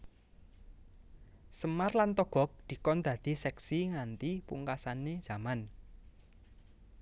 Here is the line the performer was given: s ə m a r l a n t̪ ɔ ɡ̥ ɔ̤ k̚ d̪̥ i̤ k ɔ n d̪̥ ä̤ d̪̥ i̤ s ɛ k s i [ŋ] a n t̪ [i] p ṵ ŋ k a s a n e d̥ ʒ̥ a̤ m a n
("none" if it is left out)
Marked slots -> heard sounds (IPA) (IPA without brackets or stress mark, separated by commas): ŋ, i